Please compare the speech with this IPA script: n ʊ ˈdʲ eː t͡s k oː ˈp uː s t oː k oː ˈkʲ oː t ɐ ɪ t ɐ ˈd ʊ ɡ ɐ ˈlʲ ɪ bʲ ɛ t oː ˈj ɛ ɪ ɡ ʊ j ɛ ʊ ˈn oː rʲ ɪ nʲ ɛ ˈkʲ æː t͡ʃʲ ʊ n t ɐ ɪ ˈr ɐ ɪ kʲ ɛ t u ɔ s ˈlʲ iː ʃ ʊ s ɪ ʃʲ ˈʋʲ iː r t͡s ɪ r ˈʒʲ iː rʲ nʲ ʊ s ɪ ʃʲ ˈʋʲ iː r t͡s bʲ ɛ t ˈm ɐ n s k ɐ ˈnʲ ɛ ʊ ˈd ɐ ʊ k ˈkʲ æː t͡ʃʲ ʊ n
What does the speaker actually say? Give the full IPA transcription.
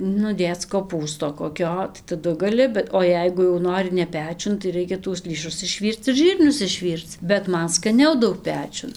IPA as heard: n ʊ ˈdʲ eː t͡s k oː ˈp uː s t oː k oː ˈkʲ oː t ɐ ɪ t ɐ ˈd ʊ ɡ ɐ ˈlʲ ɪ bʲ ɛ t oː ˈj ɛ ɪ ɡ ʊ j ɛ ʊ ˈn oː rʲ ɪ nʲ ɛ ˈpʲ æː t͡ʃʲ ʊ n t ɐ ɪ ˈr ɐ ɪ kʲ ɛ t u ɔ s ˈlʲ iː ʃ ʊ s ɪ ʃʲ ˈʋʲ iː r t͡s ɪ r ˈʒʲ iː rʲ nʲ ʊ s ɪ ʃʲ ˈʋʲ iː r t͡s bʲ ɛ t ˈm ɐ n s k ɐ ˈnʲ ɛ ʊ ˈd ɐ ʊ k ˈpʲ æː t͡ʃʲ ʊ n